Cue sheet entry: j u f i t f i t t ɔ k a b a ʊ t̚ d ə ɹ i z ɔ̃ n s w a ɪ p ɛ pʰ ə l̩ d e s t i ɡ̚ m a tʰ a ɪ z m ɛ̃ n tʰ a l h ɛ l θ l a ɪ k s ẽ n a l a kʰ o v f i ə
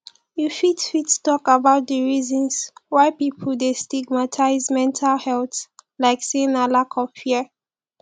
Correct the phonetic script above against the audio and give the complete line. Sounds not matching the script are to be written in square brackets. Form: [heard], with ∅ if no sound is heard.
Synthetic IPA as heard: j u f i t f i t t ɔ k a b a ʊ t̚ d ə ɹ i z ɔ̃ n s w a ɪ p [i] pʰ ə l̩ d e s t i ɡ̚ m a tʰ a ɪ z m ɛ̃ n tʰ a l h ɛ l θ l a ɪ k s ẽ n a l a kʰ [ɔ] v f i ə